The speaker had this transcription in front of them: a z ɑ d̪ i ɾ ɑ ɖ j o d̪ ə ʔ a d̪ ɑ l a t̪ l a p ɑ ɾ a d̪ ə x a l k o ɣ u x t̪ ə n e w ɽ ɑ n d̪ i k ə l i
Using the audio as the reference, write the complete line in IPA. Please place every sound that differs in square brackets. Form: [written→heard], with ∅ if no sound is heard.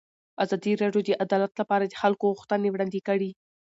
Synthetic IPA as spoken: a z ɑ d̪ i ɾ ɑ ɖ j o d̪ ə ʔ a d̪ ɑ l a t̪ l a p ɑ ɾ a d̪ ə x a l k o ɣ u x t̪ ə n e w ɽ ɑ n d̪ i k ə [l→ɽ] i